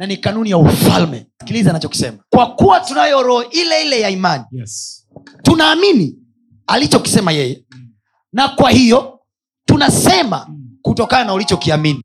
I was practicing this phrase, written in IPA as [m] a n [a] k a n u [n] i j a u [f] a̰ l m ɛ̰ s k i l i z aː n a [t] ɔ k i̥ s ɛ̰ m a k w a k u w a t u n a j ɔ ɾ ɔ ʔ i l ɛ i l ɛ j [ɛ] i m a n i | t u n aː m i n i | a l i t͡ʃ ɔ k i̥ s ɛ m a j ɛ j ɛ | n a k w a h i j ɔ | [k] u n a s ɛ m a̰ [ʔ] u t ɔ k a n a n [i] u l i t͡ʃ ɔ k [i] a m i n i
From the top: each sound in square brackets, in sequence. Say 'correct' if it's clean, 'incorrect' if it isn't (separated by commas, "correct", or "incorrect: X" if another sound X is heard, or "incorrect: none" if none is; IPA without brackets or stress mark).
incorrect: n, incorrect: i, correct, correct, incorrect: t͡ʃ, incorrect: a, incorrect: t, incorrect: k, incorrect: a, correct